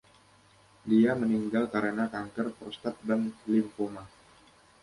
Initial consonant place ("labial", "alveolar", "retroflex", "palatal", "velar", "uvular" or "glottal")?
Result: alveolar